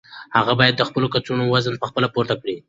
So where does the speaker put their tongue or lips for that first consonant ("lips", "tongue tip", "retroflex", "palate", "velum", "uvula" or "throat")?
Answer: throat